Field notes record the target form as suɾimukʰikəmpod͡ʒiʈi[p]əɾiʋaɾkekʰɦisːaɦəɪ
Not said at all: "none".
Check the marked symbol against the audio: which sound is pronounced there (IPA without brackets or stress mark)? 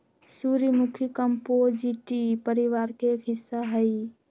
p